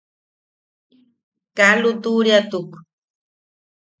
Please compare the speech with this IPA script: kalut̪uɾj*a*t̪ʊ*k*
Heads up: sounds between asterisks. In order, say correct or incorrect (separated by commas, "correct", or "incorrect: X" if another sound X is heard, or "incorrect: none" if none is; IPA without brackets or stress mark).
correct, correct